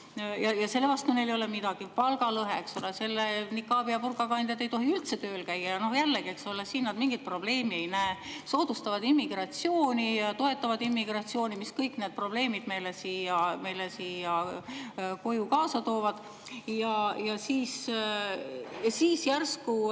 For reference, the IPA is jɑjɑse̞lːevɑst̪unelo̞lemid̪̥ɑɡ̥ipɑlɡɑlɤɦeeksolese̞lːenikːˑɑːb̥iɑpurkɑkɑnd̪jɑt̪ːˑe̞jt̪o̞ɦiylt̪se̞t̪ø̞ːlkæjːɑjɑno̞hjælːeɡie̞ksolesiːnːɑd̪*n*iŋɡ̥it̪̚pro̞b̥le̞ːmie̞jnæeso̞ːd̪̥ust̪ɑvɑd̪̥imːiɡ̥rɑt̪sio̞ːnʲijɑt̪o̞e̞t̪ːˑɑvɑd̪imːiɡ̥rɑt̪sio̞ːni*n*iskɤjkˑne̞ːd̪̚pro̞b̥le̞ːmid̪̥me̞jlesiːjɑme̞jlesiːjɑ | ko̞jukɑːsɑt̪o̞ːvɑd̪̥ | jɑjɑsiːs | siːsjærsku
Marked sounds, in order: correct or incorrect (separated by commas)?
incorrect, incorrect